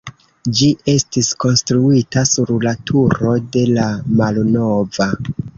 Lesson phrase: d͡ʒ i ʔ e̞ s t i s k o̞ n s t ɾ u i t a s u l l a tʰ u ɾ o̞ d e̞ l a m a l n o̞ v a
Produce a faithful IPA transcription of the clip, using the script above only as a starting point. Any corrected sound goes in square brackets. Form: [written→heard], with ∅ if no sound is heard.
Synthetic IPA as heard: d͡ʒ i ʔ e̞ s t i s k o̞ n s t ɾ u i t a s u [l→ɾ] l a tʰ u ɾ o̞ d e̞ l a m a l n o̞ v a